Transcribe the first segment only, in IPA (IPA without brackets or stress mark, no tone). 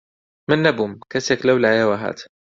m